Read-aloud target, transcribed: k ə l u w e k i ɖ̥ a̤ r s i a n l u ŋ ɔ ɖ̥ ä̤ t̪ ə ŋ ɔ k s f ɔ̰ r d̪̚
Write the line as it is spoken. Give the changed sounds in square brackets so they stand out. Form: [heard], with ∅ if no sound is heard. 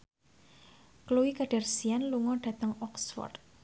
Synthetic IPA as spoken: k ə l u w [i] k [a] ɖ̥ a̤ r s i a n l u ŋ ɔ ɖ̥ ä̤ t̪ ə ŋ ɔ k s f ɔ̰ r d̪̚